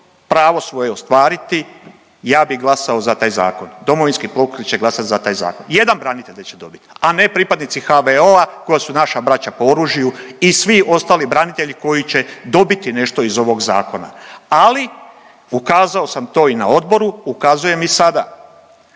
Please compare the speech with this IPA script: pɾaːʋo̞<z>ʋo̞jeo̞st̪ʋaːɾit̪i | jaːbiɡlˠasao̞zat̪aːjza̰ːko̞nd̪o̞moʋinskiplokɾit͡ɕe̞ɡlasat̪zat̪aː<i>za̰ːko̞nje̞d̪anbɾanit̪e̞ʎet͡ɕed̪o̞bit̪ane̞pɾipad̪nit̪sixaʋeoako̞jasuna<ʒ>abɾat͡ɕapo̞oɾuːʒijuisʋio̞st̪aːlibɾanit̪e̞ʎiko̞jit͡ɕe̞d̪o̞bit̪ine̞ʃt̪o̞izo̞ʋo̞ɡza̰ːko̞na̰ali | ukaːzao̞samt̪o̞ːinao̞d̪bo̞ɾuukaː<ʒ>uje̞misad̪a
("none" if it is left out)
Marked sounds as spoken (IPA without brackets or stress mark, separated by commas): s, j, ʃ, z